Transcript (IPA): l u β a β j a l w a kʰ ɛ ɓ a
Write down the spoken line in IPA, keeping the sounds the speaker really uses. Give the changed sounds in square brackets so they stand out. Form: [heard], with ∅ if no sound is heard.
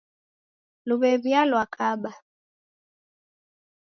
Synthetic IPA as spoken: l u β [ɛ] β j a l w a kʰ [a] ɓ a